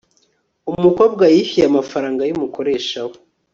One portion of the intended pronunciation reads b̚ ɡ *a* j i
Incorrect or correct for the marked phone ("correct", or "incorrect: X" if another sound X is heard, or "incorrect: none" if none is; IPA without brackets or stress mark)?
correct